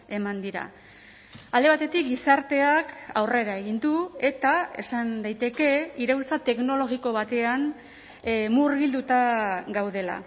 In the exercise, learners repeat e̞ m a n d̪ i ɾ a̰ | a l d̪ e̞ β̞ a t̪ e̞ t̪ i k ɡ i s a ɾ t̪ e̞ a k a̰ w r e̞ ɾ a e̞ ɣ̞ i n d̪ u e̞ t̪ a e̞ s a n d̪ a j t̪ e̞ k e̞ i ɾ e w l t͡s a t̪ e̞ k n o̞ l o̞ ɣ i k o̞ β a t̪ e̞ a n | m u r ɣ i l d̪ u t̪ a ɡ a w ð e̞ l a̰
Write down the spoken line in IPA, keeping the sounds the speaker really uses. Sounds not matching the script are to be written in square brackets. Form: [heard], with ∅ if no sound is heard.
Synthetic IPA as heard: e̞ m a n d̪ i ɾ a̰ | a l d̪ e̞ β̞ a t̪ e̞ t̪ i k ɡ i s a ɾ t̪ e̞ a k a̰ w r e̞ ɾ a e̞ ɣ̞ i n d̪ u e̞ t̪ a e̞ s a n d̪ a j t̪ e̞ k e̞ i ɾ e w l t͡s a t̪ e̞ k n o̞ l o̞ ɣ i k o̞ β a t̪ e̞ a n | m u r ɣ i l d̪ u t̪ a ɡ a w ð e̞ l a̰